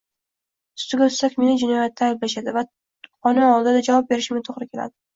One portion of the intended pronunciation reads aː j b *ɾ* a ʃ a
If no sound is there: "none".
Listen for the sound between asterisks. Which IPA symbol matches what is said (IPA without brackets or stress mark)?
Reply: l